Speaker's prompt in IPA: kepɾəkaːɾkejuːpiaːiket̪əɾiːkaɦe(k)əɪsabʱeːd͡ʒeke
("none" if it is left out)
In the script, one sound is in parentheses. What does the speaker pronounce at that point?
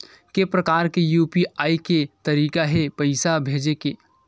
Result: p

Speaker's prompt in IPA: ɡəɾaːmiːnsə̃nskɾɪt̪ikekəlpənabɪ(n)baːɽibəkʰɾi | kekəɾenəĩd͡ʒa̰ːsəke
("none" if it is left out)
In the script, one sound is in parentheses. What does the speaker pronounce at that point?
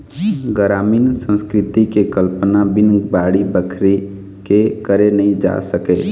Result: n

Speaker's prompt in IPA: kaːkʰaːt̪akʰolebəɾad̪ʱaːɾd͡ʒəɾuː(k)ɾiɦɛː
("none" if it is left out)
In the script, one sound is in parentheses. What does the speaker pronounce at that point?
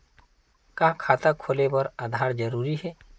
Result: none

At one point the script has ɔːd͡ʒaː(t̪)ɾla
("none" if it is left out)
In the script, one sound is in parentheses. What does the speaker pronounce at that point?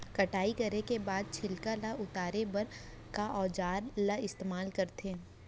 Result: none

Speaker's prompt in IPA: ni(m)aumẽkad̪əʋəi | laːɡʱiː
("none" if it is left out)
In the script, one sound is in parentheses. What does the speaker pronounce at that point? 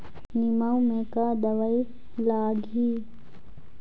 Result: m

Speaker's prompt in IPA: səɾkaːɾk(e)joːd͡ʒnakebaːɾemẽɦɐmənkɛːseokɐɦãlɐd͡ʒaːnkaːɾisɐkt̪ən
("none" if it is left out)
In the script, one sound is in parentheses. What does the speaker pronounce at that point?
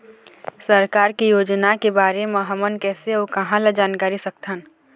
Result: i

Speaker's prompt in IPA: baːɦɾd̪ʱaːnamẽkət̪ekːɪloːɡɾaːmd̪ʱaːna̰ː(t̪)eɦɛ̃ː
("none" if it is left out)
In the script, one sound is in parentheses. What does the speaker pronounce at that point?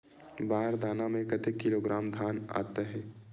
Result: t̪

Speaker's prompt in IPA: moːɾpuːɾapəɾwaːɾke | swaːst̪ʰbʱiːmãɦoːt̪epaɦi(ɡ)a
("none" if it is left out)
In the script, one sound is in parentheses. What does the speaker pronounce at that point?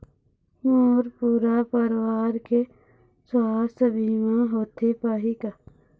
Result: k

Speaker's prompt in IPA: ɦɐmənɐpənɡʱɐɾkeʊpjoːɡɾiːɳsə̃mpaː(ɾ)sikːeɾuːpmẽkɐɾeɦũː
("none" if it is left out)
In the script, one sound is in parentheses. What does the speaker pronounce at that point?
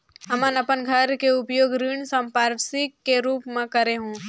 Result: ɾ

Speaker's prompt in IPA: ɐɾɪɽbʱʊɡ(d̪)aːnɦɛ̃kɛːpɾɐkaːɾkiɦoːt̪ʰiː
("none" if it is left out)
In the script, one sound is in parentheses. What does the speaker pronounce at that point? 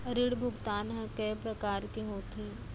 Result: t̪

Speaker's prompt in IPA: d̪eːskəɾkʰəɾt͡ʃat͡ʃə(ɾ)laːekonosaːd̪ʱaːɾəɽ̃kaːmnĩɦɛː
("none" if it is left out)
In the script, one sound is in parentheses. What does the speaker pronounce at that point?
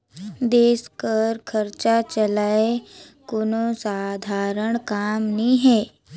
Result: none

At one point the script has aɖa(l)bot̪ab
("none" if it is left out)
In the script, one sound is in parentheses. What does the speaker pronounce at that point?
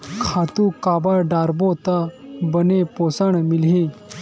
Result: ɾ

